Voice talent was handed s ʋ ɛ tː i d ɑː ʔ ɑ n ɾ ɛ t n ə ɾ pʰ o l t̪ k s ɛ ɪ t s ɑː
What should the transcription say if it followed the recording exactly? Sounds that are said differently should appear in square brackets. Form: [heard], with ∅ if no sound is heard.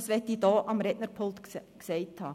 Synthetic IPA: s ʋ ɛ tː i d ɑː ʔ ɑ [m] ɾ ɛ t n ə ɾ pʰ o l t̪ k s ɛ ɪ t [h] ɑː